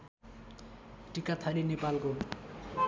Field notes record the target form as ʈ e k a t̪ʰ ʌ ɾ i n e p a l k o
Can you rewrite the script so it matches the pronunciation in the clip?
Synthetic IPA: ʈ i k a t̪ʰ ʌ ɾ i n e p a l k o